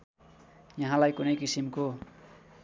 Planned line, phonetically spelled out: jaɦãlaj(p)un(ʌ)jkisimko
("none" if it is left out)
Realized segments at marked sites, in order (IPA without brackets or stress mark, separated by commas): k, ʌ